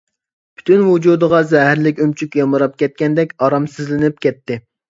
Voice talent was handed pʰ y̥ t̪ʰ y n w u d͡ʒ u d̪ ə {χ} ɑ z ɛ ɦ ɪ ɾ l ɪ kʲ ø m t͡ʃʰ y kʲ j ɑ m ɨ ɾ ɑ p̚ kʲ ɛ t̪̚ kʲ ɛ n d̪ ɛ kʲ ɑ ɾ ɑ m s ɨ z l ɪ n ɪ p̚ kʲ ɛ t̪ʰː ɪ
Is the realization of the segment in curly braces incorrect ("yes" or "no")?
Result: yes